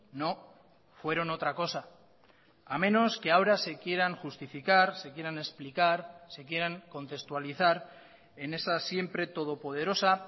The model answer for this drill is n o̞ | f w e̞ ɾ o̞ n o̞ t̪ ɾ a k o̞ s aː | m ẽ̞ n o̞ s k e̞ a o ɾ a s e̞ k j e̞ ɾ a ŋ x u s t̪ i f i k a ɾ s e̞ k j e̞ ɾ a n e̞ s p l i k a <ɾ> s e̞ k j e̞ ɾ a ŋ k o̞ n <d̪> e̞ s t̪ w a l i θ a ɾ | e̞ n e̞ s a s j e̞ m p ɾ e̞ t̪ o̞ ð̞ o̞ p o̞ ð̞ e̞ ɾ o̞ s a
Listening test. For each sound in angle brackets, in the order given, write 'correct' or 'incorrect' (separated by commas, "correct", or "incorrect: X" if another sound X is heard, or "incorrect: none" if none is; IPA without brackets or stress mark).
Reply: correct, incorrect: t̪